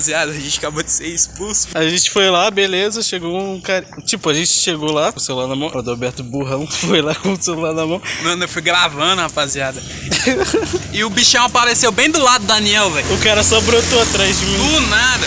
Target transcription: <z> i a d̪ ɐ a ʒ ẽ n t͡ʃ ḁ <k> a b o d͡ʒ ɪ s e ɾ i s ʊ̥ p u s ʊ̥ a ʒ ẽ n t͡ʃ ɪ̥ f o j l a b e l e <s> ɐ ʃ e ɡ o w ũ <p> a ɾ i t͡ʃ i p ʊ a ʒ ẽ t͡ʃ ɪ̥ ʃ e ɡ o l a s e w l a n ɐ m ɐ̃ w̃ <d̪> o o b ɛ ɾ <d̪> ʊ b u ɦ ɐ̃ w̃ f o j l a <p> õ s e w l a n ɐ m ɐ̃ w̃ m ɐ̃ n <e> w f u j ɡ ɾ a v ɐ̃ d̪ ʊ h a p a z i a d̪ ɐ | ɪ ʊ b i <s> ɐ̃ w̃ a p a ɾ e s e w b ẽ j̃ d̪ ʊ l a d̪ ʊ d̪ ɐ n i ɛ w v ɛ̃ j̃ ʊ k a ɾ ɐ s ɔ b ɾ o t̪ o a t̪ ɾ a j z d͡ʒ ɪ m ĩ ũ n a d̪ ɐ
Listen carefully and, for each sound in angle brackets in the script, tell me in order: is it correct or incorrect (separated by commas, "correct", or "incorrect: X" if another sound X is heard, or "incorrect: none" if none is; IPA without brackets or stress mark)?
correct, correct, incorrect: z, incorrect: k, correct, incorrect: t̪, incorrect: k, correct, incorrect: ʃ